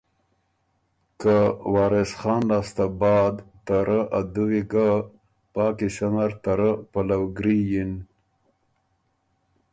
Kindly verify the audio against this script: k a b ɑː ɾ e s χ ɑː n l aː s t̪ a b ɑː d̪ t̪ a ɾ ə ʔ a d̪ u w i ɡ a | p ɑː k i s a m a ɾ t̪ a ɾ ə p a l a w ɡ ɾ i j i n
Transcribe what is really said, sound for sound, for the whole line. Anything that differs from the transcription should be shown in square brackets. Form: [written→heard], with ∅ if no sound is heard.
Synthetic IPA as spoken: k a [b→w] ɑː ɾ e s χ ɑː n l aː s t̪ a b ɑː d̪ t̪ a ɾ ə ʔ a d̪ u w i ɡ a | p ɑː k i s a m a ɾ t̪ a ɾ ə p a l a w ɡ ɾ i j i n